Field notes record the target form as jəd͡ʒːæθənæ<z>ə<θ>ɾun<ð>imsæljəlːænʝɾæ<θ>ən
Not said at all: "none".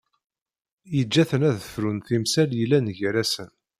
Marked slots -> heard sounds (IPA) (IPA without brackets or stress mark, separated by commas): ð, f, θ, s